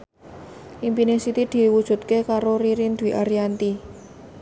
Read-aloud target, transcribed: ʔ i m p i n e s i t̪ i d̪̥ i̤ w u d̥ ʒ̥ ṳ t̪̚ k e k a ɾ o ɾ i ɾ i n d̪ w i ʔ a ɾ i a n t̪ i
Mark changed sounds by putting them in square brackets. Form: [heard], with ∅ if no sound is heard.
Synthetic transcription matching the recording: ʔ i m p i n e s i t̪ i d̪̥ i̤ w u d̥ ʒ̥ ṳ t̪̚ k e k a ɾ o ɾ i ɾ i n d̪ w i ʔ a ɾ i a n t̪ i